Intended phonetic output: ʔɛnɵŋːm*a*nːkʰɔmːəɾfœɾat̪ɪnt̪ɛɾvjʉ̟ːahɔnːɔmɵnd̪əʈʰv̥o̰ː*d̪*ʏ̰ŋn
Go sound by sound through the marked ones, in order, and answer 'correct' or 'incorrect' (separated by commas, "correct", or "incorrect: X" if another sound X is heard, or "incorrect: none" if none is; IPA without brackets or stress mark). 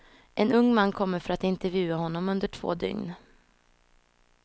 correct, correct